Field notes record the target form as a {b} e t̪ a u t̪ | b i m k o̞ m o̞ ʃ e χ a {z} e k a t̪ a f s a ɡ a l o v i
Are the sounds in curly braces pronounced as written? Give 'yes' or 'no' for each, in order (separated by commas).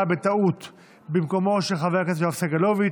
yes, no